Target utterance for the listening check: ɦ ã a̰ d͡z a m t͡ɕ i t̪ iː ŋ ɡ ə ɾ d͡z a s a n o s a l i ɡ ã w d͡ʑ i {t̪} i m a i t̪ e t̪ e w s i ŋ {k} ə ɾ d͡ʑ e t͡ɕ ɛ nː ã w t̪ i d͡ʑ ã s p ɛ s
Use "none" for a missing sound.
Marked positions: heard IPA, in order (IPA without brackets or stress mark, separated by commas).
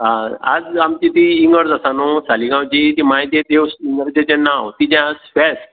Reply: t̪, ɡ